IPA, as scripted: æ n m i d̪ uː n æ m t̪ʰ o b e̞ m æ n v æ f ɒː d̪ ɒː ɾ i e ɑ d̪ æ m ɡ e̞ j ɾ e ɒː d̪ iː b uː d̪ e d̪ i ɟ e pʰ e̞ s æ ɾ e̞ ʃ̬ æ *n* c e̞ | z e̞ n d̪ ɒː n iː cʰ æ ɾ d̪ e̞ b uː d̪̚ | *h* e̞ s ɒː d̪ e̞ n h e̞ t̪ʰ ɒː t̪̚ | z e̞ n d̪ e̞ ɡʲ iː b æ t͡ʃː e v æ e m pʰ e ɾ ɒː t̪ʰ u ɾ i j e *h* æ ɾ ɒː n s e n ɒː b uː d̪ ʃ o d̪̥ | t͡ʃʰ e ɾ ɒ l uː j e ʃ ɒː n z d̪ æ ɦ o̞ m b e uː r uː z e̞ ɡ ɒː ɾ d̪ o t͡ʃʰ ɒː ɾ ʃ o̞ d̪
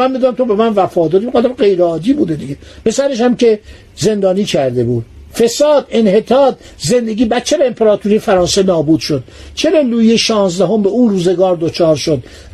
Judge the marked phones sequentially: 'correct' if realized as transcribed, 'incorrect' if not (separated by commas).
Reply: incorrect, incorrect, incorrect